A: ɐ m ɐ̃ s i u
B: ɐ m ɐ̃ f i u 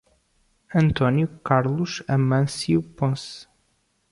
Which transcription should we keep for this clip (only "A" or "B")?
A